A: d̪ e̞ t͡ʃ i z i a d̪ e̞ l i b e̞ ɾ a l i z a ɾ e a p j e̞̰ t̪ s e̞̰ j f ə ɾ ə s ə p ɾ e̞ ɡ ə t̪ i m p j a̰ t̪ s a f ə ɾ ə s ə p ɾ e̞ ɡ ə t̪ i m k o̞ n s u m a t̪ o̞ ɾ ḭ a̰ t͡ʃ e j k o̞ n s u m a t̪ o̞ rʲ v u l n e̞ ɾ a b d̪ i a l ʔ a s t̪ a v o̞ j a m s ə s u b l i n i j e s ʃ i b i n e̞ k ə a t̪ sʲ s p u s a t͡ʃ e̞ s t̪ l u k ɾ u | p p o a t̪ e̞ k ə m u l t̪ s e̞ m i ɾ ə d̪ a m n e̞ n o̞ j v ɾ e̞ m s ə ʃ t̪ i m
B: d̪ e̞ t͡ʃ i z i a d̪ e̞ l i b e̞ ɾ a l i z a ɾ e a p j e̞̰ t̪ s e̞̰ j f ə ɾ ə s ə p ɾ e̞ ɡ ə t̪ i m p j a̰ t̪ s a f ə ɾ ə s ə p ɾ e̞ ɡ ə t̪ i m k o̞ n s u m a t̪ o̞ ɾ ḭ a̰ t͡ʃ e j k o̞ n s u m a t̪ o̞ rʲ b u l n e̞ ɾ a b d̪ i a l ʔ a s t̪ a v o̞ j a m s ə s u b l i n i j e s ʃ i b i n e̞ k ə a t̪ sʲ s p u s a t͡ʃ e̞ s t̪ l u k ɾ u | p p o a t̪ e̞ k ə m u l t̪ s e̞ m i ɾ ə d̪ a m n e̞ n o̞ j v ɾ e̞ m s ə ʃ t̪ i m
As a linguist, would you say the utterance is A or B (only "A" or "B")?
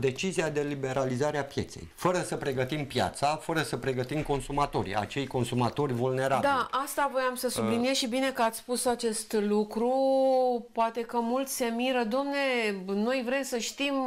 A